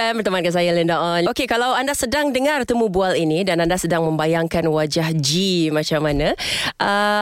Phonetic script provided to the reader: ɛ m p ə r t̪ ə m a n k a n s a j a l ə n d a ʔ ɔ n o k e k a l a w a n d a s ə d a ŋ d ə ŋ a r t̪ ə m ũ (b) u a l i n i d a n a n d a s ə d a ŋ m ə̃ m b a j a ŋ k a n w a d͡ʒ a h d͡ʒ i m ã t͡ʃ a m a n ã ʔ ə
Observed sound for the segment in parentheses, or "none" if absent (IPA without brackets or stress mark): b